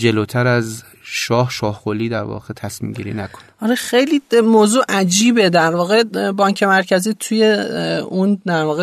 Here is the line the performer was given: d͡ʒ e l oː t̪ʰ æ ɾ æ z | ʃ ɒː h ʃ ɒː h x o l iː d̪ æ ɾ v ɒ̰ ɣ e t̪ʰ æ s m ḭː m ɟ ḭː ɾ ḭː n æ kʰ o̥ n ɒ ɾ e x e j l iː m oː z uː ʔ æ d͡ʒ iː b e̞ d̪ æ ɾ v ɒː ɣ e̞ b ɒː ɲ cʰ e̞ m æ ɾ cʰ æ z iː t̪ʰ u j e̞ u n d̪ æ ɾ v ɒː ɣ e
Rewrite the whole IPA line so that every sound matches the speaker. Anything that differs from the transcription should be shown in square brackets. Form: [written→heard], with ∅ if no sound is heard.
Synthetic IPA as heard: d͡ʒ e l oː t̪ʰ æ ɾ æ z | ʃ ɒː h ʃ ɒː h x o l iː d̪ æ ɾ v ɒ̰ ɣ e t̪ʰ æ s m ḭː m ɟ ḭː ɾ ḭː n æ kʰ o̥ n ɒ ɾ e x e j l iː m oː z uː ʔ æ d͡ʒ iː b e̞ d̪ æ ɾ v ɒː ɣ e̞ b ɒː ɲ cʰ e̞ m æ ɾ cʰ æ z iː t̪ʰ u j e̞ u n d̪ æ ɾ v ɒː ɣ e